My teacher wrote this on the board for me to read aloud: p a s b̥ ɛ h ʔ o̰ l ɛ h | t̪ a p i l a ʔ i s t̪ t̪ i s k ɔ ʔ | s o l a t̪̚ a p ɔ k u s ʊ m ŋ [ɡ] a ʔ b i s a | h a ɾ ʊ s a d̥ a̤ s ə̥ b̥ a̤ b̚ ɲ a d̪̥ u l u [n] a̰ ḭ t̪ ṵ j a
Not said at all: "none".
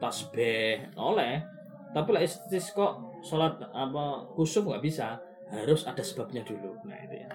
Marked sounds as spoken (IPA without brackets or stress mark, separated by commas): ɡ, n